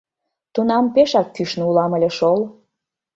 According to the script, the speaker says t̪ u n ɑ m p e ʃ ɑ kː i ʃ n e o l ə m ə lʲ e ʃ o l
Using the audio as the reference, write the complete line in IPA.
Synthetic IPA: t̪ u n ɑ m p e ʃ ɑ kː y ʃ n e u l ɑ m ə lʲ e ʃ o l